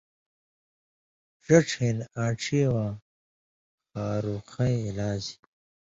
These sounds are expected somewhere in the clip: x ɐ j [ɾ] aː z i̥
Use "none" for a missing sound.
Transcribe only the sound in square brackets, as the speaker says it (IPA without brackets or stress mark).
l